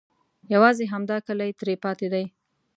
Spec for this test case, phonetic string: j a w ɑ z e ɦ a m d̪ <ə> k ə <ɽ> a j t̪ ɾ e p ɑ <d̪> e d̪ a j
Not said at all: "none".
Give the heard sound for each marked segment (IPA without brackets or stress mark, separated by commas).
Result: ɑ, l, t̪